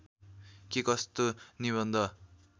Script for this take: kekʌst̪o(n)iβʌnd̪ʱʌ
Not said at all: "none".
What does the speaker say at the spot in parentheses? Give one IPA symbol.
n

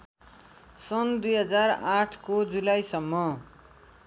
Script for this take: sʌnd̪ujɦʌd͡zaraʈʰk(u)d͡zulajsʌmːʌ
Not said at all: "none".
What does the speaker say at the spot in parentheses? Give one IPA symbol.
o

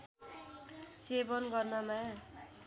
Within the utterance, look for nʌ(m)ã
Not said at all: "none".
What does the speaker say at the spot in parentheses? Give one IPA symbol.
m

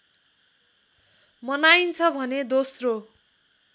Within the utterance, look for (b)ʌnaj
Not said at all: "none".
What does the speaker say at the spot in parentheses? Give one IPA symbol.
m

